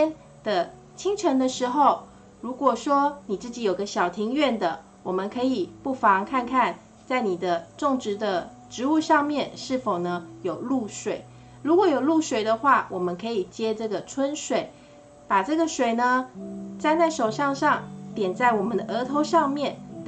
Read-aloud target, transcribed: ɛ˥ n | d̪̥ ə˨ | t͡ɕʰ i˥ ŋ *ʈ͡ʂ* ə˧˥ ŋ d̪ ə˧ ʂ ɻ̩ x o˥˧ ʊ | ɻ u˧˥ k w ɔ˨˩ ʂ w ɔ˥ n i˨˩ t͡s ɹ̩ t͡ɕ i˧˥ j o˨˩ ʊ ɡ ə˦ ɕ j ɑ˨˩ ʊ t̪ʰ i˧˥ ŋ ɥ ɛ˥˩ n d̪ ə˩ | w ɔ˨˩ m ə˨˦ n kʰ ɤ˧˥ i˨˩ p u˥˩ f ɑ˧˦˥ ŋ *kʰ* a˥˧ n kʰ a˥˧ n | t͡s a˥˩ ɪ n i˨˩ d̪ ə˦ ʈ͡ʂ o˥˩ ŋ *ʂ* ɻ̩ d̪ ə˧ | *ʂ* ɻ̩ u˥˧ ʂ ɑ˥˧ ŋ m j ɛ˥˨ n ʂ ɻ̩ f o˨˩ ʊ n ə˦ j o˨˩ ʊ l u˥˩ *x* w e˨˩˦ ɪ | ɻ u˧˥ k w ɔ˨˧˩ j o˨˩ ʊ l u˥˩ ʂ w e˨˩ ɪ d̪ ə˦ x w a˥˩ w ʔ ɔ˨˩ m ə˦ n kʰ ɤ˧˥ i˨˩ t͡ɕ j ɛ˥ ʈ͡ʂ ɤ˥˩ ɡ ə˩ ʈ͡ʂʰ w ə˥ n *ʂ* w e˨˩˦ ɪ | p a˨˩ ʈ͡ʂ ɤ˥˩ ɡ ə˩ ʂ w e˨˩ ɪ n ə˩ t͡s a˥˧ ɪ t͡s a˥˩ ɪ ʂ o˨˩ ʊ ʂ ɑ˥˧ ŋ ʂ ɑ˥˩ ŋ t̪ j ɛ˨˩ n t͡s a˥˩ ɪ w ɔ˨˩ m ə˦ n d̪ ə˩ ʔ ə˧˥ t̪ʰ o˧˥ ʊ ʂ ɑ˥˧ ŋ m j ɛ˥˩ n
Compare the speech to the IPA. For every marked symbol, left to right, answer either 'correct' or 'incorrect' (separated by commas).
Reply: incorrect, correct, incorrect, incorrect, incorrect, correct